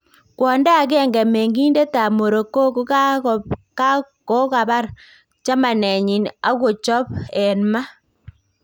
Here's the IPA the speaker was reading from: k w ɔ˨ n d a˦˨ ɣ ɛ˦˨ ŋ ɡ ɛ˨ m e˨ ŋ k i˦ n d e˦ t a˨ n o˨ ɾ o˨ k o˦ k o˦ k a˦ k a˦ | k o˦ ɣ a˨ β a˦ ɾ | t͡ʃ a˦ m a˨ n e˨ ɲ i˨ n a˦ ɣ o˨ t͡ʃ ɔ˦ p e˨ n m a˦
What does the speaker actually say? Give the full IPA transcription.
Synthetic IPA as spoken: k w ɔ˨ n d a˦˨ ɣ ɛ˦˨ ŋ ɡ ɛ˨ m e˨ ŋ ɡ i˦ n d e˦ t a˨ m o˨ ɾ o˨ k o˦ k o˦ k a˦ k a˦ | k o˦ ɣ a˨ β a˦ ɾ | t͡ʃ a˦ m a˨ n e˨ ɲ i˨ n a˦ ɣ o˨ t͡ʃ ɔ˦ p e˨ n m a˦